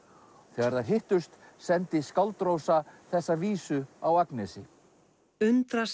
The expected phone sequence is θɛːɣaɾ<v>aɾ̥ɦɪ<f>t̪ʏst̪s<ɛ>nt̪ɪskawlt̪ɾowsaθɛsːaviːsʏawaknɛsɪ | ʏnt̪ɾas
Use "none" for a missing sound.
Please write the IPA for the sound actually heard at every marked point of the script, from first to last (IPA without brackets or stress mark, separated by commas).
ð, h, ɛ